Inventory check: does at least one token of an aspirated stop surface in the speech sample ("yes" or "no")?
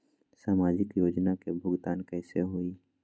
no